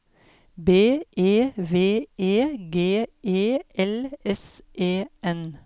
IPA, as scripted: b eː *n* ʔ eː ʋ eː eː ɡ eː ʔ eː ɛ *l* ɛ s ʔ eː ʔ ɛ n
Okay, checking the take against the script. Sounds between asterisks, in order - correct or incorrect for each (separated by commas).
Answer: incorrect, correct